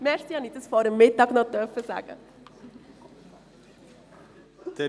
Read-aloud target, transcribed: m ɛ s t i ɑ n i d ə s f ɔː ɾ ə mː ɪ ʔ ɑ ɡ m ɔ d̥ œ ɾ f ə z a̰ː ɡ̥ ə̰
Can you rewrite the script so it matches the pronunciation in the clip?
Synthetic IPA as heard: m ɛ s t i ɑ n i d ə s f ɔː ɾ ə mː ɪ t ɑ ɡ n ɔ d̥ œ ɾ f ə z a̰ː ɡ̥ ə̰